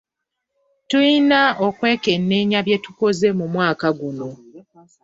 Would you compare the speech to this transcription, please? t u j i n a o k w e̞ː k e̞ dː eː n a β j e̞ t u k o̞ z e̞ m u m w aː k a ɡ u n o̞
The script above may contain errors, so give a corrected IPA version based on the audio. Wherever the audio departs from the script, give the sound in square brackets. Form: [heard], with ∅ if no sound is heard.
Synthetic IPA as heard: t u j i n a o k w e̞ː k e̞ [nː] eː [ɲ] a β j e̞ t u k o̞ z e̞ m u m w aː k a ɡ u n o̞